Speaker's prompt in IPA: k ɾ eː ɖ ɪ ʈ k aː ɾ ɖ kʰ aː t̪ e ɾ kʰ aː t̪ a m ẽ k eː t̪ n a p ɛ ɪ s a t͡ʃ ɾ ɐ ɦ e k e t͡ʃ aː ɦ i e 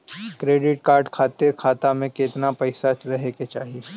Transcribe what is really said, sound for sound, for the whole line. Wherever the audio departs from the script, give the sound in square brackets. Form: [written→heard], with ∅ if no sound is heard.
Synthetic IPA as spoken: k ɾ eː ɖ ɪ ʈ k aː ɾ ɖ kʰ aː t̪ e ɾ kʰ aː t̪ a m ẽ k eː t̪ n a p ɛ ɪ s a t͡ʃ ɾ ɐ ɦ e k e t͡ʃ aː ɦ i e